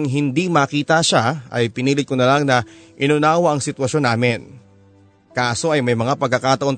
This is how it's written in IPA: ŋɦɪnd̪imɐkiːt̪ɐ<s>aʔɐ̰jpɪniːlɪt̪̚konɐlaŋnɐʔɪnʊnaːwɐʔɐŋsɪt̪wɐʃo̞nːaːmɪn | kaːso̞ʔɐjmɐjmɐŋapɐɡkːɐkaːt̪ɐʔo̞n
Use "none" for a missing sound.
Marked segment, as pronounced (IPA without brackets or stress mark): ʃ